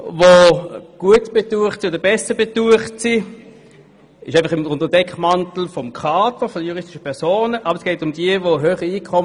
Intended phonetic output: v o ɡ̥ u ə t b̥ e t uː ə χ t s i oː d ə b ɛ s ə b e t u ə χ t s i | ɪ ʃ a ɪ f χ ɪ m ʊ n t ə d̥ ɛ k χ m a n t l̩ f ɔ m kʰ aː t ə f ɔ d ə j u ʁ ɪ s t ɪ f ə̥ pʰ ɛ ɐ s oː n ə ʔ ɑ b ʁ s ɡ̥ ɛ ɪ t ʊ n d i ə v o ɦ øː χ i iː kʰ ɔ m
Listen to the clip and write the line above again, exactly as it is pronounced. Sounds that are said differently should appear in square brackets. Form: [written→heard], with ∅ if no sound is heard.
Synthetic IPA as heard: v o ɡ̥ u ə t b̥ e t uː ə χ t s i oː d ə b ɛ s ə b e t u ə χ t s i | ɪ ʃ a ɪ f χ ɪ m ʊ n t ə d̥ ɛ k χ m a n t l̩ f ɔ m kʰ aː t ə f ɔ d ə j u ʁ ɪ s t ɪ [f→ʃ] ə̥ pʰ ɛ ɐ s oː n ə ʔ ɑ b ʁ s ɡ̥ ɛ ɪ t ʊ [n→m] d i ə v o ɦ øː χ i iː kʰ ɔ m

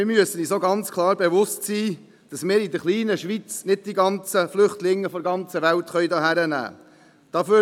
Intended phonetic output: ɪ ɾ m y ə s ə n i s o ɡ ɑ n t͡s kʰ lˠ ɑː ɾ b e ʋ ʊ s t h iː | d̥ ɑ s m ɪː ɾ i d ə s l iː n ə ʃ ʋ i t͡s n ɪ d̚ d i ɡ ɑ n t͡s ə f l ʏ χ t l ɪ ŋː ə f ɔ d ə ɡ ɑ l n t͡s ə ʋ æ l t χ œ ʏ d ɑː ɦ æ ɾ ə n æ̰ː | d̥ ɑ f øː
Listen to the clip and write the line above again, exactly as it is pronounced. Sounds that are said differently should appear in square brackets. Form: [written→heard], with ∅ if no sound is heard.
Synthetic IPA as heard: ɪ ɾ m y ə s ə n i s o ɡ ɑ n t͡s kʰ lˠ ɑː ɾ b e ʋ ʊ s t [h→s] iː | d̥ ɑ s m ɪː ɾ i d ə [s→χ] l iː n ə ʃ ʋ i t͡s n ɪ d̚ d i ɡ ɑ n t͡s ə f l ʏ χ t l ɪ ŋː ə f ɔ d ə ɡ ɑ [l→∅] n t͡s ə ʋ æ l t χ œ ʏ d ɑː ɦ æ ɾ ə n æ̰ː | d̥ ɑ f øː

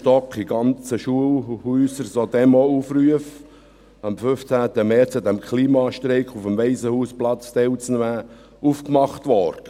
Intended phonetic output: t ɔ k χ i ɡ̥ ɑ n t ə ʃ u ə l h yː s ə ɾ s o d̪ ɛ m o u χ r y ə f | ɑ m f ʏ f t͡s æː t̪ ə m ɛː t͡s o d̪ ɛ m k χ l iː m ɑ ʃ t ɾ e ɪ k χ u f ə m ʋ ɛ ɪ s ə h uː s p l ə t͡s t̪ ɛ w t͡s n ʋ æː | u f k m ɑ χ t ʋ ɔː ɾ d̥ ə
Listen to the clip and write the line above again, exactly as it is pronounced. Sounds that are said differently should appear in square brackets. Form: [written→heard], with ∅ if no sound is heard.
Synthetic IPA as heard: t ɔ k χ i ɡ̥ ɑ n [t→t͡s] ə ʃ u ə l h yː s ə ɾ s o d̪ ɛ m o u [χ→f] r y ə f | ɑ m f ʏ f t͡s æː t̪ ə m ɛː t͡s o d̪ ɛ m k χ l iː m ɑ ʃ t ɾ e ɪ k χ u f ə m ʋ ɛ ɪ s ə h uː s p l [ə→ɑ] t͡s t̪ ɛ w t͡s n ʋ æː | u f k m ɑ χ t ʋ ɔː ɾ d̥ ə

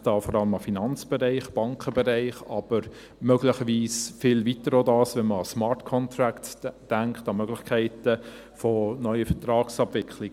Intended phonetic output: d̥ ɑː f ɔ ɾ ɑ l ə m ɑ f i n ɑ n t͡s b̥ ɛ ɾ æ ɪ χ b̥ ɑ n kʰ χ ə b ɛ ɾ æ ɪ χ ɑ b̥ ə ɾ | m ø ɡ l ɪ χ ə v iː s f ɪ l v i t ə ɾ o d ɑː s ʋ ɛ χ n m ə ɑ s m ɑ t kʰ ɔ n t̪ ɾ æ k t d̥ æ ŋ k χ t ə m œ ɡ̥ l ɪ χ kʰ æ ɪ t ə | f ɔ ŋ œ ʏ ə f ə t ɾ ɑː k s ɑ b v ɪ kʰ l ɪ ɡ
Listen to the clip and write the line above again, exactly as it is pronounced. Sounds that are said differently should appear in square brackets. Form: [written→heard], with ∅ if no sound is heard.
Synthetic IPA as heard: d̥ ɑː f ɔ ɾ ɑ l ə m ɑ f i n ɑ n t͡s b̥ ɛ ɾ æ ɪ χ b̥ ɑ [n→ŋ] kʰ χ ə b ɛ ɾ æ ɪ χ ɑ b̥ ə ɾ | m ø ɡ l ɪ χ ə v iː s f ɪ l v i t ə ɾ o d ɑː s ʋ ɛ [χ→∅] n m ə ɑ s m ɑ t kʰ ɔ n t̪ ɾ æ k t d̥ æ ŋ k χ t [ə→ɑ] m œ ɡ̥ l ɪ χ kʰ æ ɪ t ə | f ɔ [ŋ→n] œ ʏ ə f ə t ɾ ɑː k s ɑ b v ɪ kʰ l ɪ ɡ

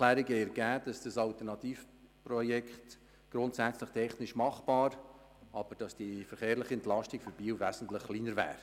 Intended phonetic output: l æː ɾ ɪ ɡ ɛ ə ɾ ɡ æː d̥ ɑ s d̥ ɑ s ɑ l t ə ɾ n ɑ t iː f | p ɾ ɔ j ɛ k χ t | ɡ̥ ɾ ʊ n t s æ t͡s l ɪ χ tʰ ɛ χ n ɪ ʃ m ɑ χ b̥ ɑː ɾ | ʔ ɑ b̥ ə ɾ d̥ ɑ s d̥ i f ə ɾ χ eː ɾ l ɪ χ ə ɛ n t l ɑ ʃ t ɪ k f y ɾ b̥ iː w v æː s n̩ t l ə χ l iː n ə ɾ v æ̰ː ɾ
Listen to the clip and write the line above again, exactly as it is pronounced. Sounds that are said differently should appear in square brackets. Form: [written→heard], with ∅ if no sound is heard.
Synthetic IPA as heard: l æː ɾ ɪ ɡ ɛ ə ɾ ɡ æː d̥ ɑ s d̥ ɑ s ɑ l t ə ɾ n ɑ t iː f | p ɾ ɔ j ɛ k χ t | ɡ̥ ɾ ʊ n t s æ t͡s l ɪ χ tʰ ɛ χ n ɪ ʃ m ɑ χ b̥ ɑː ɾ | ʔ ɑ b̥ ə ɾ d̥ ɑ s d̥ i f ə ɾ χ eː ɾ l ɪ χ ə ɛ n t l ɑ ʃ t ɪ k f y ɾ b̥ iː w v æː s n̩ t l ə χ l iː n ə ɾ v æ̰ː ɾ

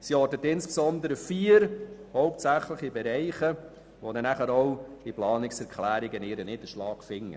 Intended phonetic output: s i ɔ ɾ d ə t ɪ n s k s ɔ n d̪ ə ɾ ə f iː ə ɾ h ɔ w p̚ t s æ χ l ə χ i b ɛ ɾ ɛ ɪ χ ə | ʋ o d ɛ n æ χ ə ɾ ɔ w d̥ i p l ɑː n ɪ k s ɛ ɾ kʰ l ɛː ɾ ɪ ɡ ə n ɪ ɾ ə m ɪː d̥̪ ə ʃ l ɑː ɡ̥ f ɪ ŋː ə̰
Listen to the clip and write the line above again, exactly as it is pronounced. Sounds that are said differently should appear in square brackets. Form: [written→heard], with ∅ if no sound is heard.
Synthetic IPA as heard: s i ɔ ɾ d ə t ɪ n s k s ɔ n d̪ ə ɾ ə f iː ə ɾ h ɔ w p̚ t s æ χ l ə χ i b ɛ ɾ ɛ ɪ χ ə | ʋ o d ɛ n æ χ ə ɾ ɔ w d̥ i p l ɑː n ɪ k s ɛ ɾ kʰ l [ɛː→æː] ɾ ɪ ɡ ə n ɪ ɾ ə [m→n] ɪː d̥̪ ə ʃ l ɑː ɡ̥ f ɪ ŋː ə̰

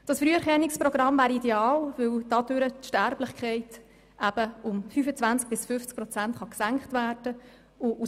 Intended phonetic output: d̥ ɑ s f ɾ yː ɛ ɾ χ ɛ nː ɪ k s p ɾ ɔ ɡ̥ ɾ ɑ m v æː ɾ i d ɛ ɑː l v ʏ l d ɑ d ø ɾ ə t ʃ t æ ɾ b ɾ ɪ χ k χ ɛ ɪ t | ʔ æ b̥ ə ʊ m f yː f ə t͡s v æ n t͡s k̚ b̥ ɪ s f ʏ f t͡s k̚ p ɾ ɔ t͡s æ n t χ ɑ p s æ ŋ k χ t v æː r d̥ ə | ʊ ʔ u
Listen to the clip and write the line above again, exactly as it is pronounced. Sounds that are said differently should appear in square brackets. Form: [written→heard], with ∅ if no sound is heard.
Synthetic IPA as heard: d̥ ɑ s f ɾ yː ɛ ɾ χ ɛ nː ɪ k s p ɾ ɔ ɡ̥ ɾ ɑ m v æː ɾ i d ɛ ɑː l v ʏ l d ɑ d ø ɾ ə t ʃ t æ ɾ b [ɾ→l] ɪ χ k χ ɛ ɪ t | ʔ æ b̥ ə ʊ m f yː f ə t͡s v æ n t͡s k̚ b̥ ɪ s f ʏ f t͡s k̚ p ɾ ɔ t͡s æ n t χ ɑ [p→k] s æ ŋ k χ t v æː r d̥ ə | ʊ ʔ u

